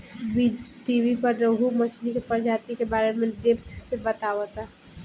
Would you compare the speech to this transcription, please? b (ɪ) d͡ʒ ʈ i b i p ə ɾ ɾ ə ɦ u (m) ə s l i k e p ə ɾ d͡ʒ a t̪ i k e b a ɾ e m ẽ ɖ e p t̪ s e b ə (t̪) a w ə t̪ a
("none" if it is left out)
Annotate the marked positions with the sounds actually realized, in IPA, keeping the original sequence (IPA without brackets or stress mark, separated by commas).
i, m, t̪